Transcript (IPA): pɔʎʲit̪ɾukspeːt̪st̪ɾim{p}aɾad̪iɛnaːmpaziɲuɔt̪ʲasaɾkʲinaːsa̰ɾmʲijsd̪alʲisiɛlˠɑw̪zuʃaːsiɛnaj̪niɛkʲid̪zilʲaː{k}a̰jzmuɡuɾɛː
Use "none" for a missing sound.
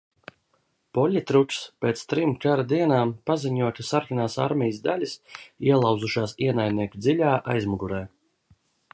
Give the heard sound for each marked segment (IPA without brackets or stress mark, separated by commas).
k, ʔ